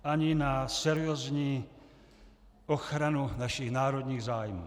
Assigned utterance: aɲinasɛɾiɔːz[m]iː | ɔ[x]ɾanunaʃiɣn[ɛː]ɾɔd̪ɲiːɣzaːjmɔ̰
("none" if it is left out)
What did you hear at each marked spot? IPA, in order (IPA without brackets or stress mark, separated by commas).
ɲ, x, aː